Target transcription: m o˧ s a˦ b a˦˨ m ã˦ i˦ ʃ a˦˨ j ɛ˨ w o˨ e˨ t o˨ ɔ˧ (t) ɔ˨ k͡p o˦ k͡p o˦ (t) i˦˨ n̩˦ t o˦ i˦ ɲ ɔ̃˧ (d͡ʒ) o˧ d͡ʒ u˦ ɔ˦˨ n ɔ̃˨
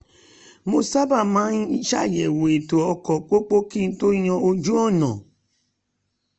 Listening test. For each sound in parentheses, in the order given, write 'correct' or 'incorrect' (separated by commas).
incorrect, incorrect, incorrect